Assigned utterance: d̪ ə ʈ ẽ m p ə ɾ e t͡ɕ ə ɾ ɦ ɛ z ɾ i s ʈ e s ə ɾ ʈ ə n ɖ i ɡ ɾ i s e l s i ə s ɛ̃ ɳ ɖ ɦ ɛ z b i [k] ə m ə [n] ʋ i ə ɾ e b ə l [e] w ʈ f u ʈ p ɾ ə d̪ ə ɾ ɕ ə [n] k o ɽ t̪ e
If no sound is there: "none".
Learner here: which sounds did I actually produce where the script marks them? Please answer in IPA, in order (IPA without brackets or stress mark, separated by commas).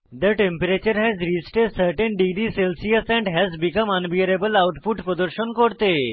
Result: k, n, a, n